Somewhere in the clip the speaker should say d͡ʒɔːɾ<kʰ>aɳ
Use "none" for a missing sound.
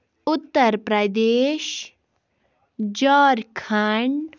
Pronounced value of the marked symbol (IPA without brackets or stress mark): kʰ